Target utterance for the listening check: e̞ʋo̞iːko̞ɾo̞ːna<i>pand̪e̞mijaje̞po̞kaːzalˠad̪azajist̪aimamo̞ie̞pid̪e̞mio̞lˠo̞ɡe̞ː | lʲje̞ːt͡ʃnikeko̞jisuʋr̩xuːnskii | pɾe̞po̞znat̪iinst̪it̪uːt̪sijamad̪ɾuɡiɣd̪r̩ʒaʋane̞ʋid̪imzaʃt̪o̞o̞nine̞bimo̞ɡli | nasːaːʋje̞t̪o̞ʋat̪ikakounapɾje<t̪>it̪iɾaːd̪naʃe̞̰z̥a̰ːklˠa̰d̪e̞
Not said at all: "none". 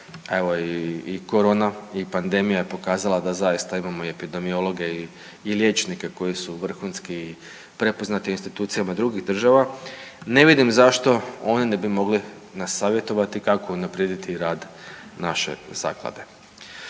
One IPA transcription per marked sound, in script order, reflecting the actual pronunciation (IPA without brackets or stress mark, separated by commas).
i, d̪